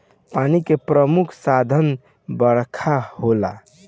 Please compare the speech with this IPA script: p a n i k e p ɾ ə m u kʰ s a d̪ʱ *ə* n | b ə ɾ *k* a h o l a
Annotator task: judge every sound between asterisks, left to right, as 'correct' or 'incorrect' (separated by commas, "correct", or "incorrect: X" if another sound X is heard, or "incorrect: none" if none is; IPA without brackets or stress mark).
correct, incorrect: kʰ